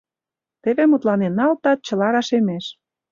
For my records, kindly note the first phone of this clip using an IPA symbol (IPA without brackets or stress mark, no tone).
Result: t̪